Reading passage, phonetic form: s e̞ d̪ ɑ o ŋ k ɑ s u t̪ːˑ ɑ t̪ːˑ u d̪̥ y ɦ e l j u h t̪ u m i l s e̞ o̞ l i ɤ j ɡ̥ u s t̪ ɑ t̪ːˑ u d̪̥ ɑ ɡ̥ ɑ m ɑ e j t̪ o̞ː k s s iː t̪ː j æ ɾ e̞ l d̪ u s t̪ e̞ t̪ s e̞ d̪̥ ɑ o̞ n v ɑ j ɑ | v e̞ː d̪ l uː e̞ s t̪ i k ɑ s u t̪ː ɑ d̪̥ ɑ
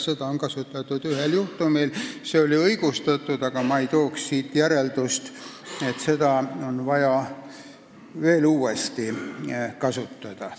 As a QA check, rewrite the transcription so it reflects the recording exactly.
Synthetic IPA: s e̞ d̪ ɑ o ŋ k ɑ s u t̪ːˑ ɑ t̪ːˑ u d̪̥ y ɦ e l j u h t̪ u m i l s e̞ o̞ l i ɤ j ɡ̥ u s t̪ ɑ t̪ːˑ u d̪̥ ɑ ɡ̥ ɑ m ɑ e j t̪ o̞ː k s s iː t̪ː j æ ɾ e̞ l d̪ u s t̪ e̞ t̪ s e̞ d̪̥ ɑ o̞ n v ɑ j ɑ | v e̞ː l uː e̞ s t̪ i k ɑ s u t̪ː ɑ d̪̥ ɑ